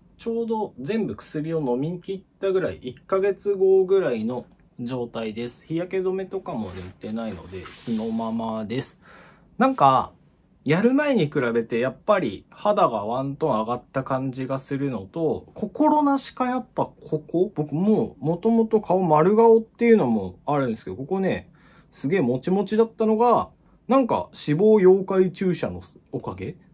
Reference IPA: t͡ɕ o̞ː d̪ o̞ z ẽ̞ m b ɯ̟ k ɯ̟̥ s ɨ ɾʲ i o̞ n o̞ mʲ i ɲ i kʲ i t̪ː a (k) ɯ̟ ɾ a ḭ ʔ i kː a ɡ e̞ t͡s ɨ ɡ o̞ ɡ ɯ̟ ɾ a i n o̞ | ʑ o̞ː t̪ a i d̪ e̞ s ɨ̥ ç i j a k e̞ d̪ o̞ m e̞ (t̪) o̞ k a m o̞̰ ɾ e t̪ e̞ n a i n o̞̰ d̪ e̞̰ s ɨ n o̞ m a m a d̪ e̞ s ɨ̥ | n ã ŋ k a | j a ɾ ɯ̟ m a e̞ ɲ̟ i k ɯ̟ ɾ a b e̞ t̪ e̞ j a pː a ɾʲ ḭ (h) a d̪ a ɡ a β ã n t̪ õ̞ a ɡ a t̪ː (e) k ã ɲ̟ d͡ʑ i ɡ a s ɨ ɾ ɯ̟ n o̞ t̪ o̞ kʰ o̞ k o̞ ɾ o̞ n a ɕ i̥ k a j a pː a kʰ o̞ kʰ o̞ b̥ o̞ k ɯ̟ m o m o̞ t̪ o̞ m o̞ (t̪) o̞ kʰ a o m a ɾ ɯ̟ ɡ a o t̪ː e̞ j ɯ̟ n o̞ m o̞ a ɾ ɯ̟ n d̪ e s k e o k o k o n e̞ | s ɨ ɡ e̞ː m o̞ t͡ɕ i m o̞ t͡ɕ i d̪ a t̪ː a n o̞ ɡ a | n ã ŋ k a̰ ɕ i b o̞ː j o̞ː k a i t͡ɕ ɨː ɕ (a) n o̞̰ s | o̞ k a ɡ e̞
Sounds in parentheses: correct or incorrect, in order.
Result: incorrect: ɡ, correct, correct, incorrect: a, correct, correct

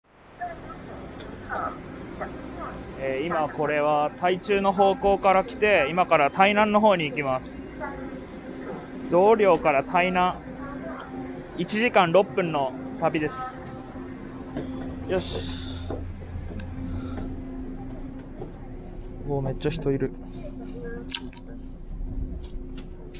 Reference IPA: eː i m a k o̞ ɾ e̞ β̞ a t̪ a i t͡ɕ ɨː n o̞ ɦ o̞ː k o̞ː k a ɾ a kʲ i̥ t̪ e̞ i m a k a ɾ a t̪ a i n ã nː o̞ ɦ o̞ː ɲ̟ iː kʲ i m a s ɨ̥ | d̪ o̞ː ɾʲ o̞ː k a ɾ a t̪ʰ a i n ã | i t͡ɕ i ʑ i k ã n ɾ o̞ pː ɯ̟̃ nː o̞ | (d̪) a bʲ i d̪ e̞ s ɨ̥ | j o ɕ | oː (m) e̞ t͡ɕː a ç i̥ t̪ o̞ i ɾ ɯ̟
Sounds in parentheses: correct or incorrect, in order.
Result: incorrect: t̪, correct

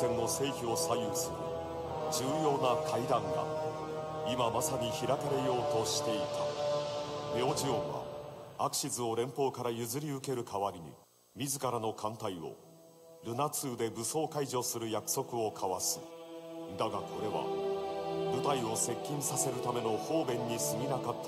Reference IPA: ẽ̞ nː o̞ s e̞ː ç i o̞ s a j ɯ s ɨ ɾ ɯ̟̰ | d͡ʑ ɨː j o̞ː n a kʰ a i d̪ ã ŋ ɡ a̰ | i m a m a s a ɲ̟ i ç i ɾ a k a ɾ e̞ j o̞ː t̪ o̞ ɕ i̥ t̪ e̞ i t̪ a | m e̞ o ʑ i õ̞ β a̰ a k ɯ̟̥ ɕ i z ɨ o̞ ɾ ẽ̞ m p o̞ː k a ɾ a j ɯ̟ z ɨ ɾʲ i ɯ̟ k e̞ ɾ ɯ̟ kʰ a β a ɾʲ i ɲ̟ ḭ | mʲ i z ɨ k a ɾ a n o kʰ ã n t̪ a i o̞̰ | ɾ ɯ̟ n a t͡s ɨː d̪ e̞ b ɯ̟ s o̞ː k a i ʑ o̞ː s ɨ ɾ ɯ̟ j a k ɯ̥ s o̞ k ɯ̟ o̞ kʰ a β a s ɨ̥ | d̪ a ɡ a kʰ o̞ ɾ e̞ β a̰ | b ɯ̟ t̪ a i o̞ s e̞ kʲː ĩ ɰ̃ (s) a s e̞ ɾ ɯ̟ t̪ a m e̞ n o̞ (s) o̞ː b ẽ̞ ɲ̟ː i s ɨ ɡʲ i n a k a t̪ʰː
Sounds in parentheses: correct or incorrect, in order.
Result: correct, incorrect: h

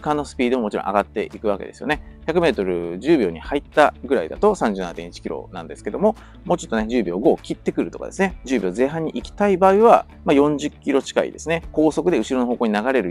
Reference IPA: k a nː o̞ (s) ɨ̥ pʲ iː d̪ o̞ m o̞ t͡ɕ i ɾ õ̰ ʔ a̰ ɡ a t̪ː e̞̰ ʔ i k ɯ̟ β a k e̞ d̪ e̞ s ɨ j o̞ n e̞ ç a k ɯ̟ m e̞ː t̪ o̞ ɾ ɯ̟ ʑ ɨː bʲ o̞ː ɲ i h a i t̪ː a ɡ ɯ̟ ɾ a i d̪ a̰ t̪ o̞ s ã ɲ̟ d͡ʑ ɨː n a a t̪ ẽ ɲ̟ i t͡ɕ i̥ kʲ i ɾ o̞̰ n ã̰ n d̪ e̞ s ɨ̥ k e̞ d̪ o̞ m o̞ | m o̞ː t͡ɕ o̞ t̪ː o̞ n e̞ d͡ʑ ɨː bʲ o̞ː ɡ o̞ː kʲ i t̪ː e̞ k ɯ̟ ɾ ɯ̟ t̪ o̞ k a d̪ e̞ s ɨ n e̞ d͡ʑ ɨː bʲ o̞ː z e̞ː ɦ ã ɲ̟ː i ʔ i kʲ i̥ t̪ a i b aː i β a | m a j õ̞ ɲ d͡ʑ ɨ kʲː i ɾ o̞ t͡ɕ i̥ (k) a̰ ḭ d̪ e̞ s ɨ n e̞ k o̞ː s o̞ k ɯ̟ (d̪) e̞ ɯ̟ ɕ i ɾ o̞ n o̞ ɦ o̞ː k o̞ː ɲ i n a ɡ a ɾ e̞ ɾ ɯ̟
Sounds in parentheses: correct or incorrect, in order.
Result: correct, correct, correct

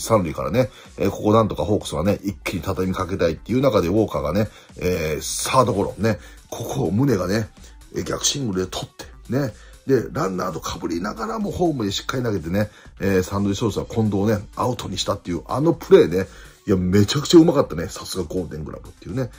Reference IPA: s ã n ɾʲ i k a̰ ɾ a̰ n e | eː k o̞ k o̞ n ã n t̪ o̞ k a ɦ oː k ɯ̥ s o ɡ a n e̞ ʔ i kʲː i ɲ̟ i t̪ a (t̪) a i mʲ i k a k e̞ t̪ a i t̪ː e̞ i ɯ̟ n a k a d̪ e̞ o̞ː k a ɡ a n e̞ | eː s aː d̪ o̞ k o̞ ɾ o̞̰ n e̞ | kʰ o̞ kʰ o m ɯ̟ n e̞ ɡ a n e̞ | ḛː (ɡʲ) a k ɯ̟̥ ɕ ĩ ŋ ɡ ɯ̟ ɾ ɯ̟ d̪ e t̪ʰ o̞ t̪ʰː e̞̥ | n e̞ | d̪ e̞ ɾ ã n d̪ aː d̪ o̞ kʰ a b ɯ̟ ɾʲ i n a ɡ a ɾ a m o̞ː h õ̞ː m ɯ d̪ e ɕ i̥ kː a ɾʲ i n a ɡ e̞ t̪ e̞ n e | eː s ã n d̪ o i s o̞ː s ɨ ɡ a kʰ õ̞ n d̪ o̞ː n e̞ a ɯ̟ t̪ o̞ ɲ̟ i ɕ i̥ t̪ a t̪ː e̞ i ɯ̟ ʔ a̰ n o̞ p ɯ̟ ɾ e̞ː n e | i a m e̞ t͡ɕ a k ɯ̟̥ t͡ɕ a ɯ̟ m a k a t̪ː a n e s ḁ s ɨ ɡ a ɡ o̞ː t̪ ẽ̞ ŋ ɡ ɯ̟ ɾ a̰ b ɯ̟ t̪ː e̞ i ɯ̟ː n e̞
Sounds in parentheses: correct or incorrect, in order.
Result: correct, correct

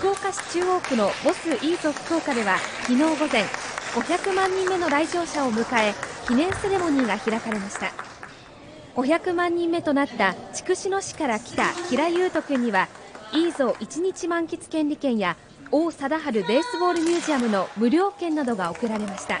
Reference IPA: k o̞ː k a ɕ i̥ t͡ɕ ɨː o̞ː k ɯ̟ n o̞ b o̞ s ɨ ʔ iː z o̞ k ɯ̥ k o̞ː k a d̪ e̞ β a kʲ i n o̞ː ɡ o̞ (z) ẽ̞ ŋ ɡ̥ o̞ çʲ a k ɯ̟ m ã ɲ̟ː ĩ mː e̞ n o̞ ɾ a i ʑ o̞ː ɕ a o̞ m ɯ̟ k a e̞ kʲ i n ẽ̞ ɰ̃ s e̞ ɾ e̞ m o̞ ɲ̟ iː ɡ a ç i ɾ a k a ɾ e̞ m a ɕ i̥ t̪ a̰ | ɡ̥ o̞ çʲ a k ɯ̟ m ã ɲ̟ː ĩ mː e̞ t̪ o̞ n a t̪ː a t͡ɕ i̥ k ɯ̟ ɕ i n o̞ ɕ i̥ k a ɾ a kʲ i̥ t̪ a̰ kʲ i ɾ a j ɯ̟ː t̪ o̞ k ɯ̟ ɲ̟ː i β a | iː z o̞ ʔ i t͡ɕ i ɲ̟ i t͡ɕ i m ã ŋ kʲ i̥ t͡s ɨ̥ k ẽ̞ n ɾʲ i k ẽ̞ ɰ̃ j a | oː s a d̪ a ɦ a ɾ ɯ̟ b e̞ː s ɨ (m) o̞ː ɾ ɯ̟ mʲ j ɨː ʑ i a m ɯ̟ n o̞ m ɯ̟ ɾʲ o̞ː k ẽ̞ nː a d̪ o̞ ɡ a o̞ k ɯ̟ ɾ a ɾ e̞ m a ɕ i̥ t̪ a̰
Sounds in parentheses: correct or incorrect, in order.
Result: correct, incorrect: b

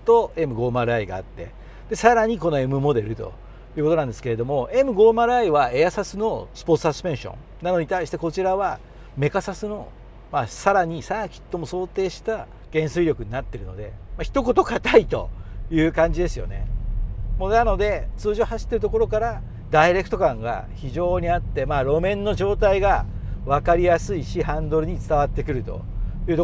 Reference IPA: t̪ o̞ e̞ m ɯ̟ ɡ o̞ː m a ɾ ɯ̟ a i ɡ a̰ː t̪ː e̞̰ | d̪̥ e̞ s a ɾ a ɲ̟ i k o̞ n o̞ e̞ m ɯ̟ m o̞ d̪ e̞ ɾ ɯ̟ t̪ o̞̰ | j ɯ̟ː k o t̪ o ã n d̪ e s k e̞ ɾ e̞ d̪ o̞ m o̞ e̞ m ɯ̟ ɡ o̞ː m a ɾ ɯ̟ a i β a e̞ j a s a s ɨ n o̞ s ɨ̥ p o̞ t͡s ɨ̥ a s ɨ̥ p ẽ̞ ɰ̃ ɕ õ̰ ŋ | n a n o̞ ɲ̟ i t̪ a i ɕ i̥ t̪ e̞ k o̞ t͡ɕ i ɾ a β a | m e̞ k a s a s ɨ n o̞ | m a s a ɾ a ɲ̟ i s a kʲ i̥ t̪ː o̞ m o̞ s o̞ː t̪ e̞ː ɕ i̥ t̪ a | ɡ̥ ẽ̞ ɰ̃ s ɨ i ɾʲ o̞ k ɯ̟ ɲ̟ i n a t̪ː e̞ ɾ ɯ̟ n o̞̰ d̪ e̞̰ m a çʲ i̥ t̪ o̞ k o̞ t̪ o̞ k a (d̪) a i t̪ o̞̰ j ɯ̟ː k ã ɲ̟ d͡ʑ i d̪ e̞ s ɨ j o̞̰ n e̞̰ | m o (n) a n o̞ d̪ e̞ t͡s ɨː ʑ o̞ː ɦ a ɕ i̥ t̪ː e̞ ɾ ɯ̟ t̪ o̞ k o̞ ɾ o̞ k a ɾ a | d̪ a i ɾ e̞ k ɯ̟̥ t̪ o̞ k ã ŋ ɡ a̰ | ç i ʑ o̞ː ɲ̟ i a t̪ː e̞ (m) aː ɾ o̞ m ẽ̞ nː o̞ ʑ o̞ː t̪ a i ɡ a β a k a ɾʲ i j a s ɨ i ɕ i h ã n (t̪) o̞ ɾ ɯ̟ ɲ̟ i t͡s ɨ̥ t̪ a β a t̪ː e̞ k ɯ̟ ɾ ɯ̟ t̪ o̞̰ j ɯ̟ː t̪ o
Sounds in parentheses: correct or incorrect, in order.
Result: incorrect: t̪, correct, correct, incorrect: d̪

